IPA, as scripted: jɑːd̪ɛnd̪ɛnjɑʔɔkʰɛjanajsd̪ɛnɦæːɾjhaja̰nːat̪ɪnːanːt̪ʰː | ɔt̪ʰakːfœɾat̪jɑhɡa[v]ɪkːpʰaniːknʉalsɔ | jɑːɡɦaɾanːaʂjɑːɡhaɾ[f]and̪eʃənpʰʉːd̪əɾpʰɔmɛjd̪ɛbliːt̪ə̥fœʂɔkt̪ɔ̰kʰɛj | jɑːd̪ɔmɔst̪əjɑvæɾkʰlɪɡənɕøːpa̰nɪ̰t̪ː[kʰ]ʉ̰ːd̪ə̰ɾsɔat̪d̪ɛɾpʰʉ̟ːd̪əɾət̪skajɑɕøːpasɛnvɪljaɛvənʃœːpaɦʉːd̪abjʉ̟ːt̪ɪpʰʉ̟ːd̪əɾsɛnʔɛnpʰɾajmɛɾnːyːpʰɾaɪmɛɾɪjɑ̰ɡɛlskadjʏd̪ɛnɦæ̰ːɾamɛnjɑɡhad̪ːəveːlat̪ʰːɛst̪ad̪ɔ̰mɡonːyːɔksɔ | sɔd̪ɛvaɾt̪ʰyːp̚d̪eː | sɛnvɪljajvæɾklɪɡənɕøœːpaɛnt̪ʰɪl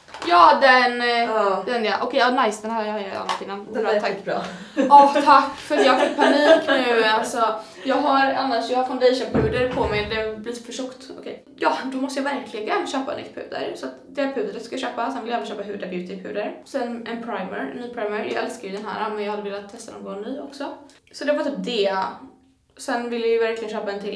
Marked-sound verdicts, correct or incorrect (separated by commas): incorrect, correct, incorrect